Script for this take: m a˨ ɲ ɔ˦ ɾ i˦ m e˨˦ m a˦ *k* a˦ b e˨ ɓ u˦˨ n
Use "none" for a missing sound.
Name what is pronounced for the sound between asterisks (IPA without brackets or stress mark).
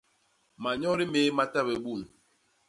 t